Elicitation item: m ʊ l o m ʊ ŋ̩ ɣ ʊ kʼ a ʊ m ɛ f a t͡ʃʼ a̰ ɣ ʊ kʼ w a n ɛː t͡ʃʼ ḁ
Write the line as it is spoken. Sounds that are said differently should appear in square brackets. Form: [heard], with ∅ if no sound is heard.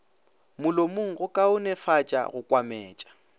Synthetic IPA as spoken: m ʊ l o m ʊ ŋ̩ ɣ ʊ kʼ a ʊ [n] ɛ f a t͡ʃʼ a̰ ɣ ʊ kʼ w a [m] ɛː t͡ʃʼ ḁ